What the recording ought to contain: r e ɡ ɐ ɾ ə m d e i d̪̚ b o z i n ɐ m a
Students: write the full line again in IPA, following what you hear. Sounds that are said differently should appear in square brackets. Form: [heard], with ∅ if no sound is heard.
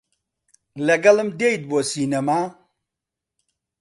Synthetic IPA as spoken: [l] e ɡ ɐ [l] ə m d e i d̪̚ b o [s] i n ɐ m a